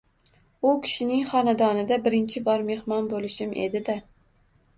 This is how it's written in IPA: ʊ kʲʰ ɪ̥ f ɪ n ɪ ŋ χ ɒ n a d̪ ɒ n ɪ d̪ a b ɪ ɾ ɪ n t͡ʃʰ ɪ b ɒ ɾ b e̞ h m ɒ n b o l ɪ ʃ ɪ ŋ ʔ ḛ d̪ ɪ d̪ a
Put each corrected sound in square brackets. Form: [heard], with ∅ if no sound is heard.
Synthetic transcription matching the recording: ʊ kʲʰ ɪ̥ [ʃ] ɪ n ɪ ŋ χ ɒ n a d̪ ɒ n ɪ d̪ a b ɪ ɾ ɪ n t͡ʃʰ ɪ b ɒ ɾ [m] e̞ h m ɒ n b o l ɪ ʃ ɪ [m] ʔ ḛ d̪ ɪ d̪ a

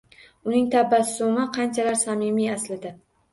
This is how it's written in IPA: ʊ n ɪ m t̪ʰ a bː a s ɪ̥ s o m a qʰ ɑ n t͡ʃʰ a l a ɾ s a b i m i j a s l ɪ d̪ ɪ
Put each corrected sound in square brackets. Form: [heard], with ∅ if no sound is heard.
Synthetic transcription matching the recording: ʊ n ɪ [ŋ] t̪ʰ a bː a s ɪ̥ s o m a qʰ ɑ n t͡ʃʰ a l a ɾ s a [m] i m i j a s l ɪ d̪ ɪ

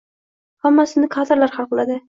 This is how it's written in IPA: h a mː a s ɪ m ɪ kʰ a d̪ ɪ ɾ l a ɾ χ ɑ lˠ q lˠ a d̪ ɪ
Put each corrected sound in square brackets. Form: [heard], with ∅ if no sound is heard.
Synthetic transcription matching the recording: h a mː a s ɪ [n] ɪ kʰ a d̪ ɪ ɾ l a ɾ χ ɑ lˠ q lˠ a d̪ ɪ

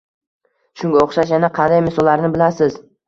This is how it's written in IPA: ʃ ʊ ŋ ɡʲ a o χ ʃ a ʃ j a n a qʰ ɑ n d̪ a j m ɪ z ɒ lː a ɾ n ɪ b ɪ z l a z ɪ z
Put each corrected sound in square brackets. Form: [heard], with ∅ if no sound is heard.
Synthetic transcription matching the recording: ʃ ʊ ŋ ɡʲ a o χ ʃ a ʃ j a n a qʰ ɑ n d̪ a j m ɪ [s] ɒ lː a ɾ n ɪ b ɪ [∅] l a [s] ɪ z

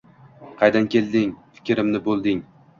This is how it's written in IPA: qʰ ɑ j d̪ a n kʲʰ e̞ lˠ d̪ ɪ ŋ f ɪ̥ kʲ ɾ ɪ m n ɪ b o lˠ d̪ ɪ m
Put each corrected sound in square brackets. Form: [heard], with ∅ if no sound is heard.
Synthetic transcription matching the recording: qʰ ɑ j d̪ a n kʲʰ e̞ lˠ d̪ ɪ ŋ f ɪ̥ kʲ ɾ ɪ m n ɪ b o lˠ d̪ ɪ [ŋ]

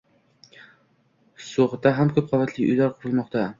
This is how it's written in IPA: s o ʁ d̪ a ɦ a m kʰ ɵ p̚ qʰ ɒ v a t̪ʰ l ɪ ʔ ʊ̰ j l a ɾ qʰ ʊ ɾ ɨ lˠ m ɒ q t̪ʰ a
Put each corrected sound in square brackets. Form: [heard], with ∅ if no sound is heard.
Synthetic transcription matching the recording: s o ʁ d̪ a ɦ a m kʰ ɵ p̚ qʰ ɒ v a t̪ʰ l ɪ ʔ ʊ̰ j l a ɾ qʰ ʊ ɾ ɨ lˠ m ɒ q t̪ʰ a

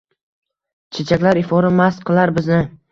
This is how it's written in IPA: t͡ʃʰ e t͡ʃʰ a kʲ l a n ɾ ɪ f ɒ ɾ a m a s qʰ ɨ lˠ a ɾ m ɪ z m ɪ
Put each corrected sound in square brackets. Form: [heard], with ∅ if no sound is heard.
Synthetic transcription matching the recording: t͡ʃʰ e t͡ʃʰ a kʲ l a [∅] ɾ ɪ f ɒ ɾ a m a s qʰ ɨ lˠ a ɾ [b] ɪ z [n] ɪ

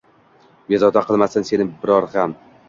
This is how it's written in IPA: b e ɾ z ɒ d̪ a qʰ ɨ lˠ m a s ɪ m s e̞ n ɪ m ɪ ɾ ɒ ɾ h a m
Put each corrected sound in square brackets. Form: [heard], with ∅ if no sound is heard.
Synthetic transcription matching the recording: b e [∅] z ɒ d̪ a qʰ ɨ lˠ m a s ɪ [n] s e̞ n ɪ [b] ɪ ɾ ɒ ɾ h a m

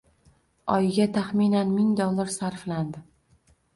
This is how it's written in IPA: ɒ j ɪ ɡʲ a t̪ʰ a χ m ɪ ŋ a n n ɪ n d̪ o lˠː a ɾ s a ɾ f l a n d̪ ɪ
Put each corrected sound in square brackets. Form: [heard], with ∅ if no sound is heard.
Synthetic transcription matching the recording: ɒ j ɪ ɡʲ a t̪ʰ a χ m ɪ [n] a n [m] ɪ [ŋ] d̪ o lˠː a ɾ s a ɾ f l a n d̪ ɪ

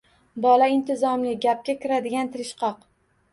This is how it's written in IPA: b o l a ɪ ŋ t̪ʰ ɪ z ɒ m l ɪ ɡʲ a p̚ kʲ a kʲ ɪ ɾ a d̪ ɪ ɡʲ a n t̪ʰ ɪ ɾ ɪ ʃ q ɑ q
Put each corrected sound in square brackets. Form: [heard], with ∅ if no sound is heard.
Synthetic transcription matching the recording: b [ɒ] l a ɪ [n] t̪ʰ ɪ z ɒ m l ɪ ɡʲ a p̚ kʲ a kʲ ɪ ɾ a d̪ ɪ ɡʲ a n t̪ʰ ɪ ɾ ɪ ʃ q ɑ q

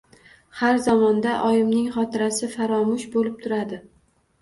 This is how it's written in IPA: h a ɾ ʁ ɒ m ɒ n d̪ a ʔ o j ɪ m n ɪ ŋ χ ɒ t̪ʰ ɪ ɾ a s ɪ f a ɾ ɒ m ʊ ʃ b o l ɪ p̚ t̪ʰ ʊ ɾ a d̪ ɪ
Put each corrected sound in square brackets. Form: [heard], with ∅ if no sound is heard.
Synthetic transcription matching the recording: h a ɾ [z] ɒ m ɒ n d̪ a ʔ [ɒ] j ɪ m n ɪ ŋ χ ɒ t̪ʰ ɪ ɾ a s ɪ f a ɾ ɒ m ʊ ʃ b o l ɪ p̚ t̪ʰ ʊ ɾ a d̪ ɪ

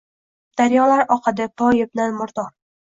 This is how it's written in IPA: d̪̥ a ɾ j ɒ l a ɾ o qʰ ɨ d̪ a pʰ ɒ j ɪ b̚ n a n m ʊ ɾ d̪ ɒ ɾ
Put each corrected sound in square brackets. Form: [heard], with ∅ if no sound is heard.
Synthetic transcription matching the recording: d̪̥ a ɾ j ɒ l a ɾ [ɒ] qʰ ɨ d̪ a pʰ ɒ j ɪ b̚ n a n m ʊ ɾ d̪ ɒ ɾ

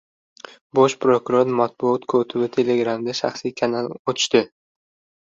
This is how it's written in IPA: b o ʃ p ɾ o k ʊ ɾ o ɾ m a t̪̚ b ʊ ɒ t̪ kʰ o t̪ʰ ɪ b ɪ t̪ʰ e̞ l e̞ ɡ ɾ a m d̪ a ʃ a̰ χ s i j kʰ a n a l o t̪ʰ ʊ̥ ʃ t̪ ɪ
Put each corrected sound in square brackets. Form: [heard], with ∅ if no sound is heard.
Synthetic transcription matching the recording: b o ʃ p ɾ o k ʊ ɾ o ɾ m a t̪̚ b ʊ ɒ t̪ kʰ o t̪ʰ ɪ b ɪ t̪ʰ e̞ l e̞ ɡ ɾ a m d̪ a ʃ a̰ χ s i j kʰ a n a l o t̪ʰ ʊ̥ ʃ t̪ ɪ

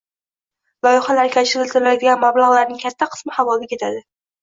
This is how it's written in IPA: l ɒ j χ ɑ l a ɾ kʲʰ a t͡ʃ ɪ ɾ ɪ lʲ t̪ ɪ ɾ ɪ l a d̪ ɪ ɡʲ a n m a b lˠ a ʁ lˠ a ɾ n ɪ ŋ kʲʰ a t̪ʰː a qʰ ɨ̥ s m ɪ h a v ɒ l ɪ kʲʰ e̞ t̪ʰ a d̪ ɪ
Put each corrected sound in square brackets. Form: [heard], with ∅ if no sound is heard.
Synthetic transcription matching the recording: l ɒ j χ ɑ l a ɾ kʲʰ a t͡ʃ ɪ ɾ ɪ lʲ t̪ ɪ ɾ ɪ l a d̪ ɪ ɡʲ a n m a b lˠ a ʁ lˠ a ɾ n ɪ ŋ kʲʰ a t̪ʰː a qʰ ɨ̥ s m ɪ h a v ɒ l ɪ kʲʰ e̞ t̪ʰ a d̪ ɪ

